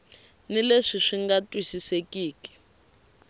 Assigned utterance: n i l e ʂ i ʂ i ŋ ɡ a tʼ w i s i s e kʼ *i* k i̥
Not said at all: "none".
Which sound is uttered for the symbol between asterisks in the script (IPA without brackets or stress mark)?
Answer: iː